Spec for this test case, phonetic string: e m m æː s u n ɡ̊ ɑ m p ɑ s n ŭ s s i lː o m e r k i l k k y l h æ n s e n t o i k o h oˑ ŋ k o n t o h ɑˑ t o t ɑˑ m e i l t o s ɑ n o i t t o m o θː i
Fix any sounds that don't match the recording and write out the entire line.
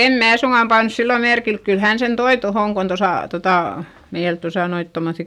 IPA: e m m æː s u ŋ ɡ̊ ɑ m p ɑ n ŭ s s i lː o m e r k i l k k y l h æ n s e n t o i t o h oˑ ŋ k o n t o s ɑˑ t o t ɑˑ m e i l t o s ɑ n o i t t o m o θː i